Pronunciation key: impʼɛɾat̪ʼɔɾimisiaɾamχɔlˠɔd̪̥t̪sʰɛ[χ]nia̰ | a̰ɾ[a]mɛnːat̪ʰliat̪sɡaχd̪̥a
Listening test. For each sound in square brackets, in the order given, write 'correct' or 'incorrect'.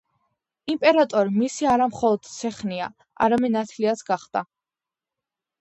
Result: correct, correct

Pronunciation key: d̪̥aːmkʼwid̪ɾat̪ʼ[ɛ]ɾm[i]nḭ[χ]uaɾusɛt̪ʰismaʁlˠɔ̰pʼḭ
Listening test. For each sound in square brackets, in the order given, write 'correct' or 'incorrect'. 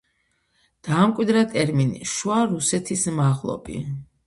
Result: correct, correct, incorrect: ʃ

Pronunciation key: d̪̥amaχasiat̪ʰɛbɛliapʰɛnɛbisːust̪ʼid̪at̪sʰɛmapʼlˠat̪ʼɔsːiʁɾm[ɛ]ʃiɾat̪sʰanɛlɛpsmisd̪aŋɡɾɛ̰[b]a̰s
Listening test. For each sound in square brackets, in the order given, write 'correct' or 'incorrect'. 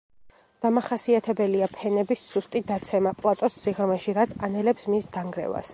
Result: correct, incorrect: v

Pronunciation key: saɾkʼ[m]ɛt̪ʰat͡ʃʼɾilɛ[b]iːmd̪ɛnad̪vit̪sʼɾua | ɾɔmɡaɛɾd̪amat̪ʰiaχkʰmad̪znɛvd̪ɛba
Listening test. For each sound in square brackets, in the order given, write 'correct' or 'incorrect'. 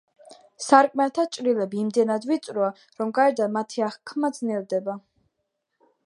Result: correct, correct

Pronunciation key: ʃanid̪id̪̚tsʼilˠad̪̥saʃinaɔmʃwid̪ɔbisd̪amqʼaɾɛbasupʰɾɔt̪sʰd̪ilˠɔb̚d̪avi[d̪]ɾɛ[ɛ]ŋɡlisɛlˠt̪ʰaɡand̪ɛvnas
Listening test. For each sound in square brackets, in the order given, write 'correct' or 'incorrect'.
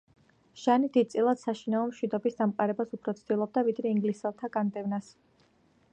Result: correct, incorrect: i

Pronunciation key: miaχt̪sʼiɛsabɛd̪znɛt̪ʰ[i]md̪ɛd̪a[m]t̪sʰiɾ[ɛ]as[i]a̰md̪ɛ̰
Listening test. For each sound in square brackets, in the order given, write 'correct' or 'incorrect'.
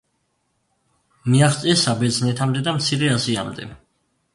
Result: incorrect: a, correct, correct, correct

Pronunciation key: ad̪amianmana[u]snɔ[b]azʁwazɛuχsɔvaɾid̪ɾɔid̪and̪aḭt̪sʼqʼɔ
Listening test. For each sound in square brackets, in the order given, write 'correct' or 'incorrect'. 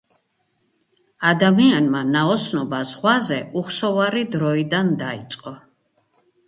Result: incorrect: ɔ, correct

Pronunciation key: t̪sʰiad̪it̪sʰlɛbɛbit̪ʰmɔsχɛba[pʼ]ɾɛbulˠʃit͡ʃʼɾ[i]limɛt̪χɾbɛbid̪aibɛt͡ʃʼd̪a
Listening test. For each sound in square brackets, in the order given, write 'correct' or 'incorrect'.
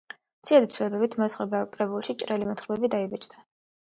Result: incorrect: kʼ, incorrect: ɛ

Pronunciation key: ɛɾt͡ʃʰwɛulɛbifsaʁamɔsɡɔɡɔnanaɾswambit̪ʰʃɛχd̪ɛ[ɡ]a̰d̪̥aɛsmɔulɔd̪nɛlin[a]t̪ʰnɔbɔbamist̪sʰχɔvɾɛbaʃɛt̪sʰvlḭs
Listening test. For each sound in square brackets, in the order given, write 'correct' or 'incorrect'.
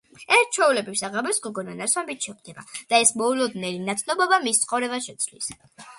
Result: incorrect: b, correct

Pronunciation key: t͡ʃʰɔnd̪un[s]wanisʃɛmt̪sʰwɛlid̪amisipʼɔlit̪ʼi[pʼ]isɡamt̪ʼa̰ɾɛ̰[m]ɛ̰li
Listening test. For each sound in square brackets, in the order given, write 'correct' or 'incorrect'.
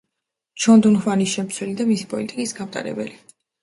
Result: incorrect: χ, incorrect: kʼ, incorrect: b

